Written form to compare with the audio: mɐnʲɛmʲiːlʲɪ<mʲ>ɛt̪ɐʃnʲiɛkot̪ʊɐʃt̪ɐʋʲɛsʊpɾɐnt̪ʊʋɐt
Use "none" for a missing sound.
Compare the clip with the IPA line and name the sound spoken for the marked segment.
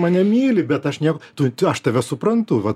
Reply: bʲ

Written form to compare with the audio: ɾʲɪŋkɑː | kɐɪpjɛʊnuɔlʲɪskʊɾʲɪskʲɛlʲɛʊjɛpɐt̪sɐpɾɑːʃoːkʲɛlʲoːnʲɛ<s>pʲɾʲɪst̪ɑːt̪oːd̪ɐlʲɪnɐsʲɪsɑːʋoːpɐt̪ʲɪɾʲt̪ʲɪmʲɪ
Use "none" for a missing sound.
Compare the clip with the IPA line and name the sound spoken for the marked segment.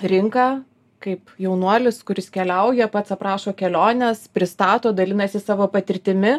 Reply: s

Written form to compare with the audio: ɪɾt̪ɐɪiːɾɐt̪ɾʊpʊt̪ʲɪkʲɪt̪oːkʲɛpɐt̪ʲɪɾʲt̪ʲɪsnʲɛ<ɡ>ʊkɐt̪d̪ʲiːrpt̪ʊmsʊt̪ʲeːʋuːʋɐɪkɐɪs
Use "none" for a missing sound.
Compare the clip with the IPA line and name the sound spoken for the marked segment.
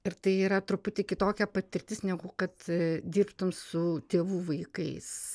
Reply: ɡ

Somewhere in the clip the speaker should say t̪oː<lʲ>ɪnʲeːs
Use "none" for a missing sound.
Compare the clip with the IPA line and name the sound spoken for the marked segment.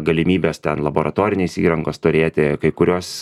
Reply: ɾʲ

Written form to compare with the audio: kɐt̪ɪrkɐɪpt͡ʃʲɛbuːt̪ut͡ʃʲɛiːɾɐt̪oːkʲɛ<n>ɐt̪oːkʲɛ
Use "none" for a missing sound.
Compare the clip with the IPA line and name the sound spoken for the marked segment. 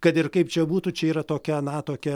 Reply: n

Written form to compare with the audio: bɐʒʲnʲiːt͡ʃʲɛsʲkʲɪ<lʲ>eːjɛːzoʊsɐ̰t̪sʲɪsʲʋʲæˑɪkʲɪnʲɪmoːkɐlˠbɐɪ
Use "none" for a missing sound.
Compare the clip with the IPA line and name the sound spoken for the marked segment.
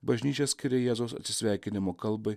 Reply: ɾʲ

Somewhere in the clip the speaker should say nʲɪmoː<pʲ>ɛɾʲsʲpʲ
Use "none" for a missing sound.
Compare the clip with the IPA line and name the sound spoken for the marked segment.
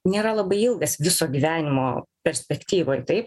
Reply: pʲ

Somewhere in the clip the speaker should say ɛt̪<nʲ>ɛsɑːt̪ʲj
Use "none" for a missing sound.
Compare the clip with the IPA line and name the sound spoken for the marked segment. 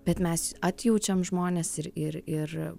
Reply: mʲ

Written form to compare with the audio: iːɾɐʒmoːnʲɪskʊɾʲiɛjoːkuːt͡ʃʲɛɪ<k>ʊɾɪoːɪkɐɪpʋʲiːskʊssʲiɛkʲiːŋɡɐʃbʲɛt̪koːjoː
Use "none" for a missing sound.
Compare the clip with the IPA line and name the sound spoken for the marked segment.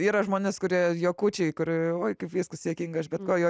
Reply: k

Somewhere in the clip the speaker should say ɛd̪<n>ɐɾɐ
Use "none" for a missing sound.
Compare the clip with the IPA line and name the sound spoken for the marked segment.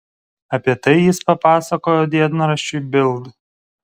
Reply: n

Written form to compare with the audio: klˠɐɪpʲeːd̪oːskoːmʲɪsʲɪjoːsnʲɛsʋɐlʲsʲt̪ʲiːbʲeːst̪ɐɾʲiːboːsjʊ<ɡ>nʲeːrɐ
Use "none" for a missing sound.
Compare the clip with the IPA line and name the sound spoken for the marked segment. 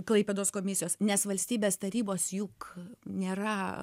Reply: k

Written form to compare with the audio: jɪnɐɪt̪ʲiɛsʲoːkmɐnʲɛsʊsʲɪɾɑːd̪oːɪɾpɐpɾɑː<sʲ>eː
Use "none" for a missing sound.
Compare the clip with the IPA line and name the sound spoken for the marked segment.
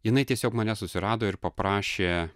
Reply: ʃʲ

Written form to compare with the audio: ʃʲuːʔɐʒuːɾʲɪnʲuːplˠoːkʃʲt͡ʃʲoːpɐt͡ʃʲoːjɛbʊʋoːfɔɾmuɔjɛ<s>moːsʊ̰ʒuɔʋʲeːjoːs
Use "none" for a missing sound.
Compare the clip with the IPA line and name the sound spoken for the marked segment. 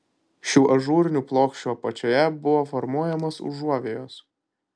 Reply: none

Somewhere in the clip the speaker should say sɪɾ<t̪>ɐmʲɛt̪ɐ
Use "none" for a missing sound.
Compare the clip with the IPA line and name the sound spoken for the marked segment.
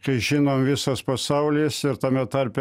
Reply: t̪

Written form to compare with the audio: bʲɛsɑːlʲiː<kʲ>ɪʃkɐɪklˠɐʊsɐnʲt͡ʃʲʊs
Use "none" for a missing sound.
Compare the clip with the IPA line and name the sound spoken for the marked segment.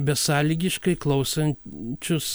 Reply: ɡʲ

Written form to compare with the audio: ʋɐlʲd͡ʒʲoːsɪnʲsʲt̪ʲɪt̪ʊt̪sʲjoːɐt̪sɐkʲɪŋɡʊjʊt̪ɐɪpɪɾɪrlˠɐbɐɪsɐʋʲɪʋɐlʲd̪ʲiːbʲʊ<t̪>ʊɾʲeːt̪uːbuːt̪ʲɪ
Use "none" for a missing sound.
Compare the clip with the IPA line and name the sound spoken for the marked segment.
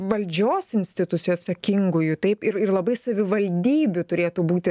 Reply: t̪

